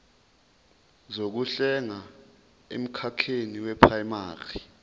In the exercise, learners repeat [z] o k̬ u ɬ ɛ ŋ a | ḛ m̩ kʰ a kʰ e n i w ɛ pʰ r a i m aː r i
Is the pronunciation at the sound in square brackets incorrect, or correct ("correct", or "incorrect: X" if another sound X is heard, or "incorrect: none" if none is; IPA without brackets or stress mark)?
correct